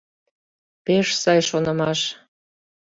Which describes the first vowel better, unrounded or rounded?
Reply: unrounded